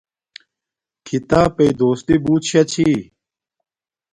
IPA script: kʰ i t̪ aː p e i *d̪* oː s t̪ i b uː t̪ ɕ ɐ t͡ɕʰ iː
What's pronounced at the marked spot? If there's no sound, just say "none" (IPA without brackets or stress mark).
d̪